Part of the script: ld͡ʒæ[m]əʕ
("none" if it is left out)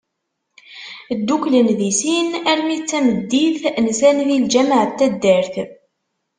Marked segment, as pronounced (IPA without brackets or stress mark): m